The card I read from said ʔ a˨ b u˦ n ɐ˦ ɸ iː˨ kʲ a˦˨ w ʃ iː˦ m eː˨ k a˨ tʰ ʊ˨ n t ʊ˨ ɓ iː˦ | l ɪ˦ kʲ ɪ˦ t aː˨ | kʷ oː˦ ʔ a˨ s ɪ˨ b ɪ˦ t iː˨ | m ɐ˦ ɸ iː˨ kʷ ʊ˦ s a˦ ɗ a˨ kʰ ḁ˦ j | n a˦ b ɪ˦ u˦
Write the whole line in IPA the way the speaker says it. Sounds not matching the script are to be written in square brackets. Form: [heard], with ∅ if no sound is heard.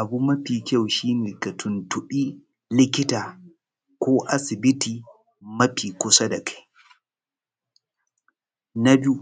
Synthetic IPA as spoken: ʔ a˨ b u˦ [m] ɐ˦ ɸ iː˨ kʲ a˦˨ w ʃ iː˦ [n] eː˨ k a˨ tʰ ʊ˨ n t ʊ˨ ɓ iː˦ | l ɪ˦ kʲ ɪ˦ t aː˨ | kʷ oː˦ ʔ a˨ s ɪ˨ b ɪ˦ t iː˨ | m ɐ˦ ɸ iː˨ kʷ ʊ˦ s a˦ [d] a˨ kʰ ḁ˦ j | n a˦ b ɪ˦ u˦